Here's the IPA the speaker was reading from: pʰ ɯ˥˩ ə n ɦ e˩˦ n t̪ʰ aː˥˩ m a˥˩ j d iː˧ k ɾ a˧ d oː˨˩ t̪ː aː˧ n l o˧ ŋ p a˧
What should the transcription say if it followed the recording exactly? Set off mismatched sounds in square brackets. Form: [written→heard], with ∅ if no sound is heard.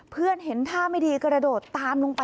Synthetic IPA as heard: pʰ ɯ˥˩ ə n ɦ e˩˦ n t̪ʰ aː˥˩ m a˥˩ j d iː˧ k ɾ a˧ d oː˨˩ t̪ː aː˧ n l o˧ ŋ p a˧